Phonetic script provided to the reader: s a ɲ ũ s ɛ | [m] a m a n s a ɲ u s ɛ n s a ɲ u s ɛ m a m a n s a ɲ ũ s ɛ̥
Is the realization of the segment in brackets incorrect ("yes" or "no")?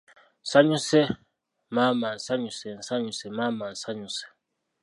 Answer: no